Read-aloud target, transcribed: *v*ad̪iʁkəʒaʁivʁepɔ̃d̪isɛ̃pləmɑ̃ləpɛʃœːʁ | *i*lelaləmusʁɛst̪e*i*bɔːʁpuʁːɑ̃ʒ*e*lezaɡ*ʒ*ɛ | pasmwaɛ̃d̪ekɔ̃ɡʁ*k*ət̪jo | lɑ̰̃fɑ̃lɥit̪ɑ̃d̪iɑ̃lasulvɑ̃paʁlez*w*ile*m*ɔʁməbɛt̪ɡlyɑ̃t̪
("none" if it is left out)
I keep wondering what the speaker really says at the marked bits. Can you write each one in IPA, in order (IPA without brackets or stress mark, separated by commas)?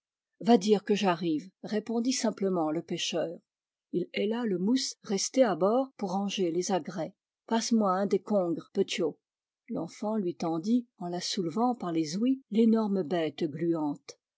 v, i, a, e, ʁ, p, w, n